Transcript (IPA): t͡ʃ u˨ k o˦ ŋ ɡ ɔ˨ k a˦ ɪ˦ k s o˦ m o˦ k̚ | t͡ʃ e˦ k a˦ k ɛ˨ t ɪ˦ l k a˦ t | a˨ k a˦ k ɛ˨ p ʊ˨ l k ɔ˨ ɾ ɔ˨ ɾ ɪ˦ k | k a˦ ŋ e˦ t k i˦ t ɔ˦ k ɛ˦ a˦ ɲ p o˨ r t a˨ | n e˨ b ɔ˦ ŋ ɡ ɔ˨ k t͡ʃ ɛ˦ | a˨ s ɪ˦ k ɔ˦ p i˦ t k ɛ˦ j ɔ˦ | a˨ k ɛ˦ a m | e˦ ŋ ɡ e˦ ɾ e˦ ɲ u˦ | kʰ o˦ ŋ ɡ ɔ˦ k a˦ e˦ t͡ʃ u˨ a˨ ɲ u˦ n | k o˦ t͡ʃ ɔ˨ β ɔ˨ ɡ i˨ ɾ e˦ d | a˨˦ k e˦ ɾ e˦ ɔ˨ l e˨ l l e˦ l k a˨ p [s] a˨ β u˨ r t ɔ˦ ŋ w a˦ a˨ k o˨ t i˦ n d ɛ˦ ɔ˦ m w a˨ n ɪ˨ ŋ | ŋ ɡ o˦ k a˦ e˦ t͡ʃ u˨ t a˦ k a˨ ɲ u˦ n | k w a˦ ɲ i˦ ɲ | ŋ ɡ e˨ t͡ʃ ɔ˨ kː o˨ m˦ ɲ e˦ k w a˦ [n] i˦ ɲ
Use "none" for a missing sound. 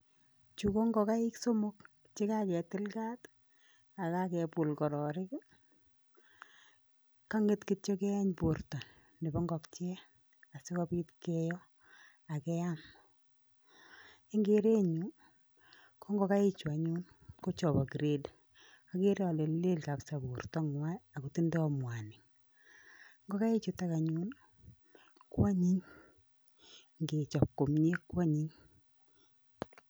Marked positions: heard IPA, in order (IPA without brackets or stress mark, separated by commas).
s, ɲ